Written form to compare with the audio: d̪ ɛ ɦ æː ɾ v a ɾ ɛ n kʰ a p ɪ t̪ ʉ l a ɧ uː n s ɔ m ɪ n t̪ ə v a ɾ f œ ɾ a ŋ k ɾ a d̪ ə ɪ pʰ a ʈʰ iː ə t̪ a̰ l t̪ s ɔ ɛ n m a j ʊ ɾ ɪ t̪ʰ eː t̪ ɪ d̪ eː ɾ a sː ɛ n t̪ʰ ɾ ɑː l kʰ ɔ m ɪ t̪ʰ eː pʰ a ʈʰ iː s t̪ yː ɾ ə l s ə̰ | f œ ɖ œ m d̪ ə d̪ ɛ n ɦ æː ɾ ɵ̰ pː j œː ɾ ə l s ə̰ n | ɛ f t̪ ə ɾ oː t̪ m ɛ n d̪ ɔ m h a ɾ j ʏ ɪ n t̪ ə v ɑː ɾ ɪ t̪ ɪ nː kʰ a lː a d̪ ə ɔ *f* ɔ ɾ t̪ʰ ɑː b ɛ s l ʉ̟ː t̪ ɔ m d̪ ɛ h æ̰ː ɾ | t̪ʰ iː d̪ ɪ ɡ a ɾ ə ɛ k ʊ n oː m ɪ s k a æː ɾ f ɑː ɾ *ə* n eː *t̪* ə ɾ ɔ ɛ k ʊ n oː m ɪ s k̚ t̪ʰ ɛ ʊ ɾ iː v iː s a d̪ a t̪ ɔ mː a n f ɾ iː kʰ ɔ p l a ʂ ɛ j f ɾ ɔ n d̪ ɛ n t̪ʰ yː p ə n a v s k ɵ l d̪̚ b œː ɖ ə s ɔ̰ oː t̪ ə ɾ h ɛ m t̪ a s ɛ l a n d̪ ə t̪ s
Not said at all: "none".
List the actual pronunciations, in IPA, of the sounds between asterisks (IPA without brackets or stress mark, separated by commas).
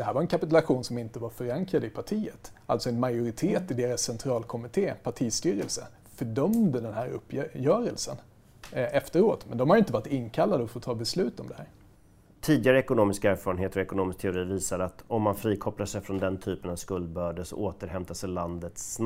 f, ə, t̪